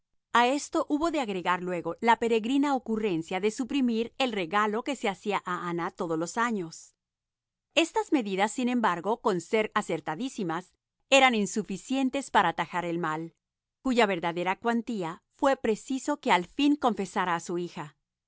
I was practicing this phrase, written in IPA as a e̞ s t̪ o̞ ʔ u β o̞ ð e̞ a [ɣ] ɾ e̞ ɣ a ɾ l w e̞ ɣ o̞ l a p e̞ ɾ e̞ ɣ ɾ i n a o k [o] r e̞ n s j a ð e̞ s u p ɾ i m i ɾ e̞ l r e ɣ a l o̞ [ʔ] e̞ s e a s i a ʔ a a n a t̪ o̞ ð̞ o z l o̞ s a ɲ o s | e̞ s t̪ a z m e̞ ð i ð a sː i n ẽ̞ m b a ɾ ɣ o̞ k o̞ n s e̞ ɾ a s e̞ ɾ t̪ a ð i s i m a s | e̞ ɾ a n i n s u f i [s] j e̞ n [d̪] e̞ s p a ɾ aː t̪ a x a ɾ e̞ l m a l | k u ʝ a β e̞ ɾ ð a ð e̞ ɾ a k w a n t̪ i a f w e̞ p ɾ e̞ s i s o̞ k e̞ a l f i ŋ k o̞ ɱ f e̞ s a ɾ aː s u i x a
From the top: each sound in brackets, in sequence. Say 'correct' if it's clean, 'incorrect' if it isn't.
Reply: correct, incorrect: u, incorrect: k, correct, incorrect: t̪

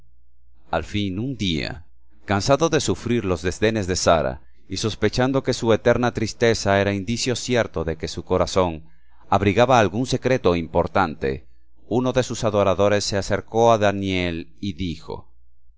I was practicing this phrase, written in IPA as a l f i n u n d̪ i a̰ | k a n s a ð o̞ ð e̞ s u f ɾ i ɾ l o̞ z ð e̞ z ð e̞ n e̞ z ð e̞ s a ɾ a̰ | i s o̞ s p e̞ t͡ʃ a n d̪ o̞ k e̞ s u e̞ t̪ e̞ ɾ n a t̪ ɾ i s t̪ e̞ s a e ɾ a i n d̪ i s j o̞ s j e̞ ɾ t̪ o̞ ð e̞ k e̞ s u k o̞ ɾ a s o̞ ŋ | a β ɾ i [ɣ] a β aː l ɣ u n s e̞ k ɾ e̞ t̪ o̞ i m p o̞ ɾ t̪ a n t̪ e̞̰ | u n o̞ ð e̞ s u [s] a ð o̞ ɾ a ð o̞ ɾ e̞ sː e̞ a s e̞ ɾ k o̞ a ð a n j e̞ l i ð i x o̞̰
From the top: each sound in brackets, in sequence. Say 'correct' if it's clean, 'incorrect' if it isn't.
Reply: correct, correct

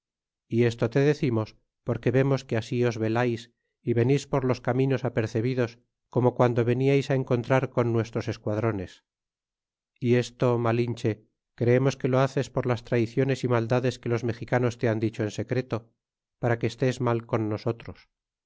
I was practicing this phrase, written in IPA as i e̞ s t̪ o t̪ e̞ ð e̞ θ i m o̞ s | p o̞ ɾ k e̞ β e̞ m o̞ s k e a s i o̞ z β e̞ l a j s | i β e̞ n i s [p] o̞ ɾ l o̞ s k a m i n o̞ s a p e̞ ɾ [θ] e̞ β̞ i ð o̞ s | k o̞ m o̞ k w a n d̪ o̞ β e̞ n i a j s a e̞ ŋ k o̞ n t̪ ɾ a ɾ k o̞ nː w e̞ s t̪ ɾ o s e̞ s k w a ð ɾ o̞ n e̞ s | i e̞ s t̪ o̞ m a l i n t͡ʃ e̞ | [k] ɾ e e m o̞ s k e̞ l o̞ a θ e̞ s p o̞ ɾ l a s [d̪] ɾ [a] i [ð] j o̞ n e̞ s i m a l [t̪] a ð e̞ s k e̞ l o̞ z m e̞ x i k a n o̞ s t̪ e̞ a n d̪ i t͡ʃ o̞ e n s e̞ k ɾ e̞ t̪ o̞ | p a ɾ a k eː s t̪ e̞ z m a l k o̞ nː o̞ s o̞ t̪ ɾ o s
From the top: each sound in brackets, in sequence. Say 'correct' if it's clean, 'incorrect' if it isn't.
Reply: correct, correct, correct, incorrect: t̪, correct, incorrect: θ, incorrect: d̪

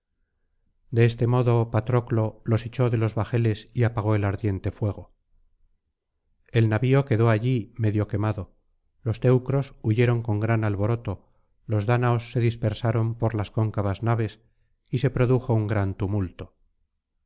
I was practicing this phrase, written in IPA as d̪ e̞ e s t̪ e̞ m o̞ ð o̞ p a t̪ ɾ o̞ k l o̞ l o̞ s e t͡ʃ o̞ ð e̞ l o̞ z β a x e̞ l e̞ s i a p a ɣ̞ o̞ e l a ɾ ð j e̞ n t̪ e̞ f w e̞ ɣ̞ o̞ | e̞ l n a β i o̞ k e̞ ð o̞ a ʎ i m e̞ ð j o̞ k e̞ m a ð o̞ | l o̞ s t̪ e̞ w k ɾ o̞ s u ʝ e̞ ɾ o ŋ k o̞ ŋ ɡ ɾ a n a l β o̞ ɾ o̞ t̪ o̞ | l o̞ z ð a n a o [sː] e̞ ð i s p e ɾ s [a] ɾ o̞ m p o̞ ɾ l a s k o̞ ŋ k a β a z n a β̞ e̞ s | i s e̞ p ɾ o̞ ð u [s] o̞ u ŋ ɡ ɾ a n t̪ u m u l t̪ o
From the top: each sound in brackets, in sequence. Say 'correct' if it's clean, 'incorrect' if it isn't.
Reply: correct, correct, incorrect: x

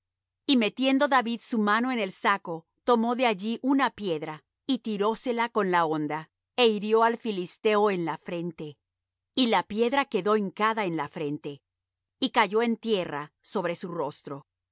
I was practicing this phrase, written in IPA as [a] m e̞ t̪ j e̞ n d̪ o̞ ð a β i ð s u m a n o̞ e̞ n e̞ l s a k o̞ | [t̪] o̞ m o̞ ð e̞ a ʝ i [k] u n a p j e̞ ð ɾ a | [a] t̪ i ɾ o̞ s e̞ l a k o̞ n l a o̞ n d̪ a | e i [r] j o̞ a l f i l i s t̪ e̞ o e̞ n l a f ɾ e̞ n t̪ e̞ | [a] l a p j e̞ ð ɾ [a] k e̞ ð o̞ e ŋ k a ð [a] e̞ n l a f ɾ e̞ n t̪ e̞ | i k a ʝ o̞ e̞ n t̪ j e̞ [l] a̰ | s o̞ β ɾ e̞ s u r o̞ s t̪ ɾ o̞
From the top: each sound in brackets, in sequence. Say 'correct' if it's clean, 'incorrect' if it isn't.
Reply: incorrect: i, correct, incorrect: ʔ, incorrect: i, incorrect: ɾ, incorrect: i, correct, correct, incorrect: r

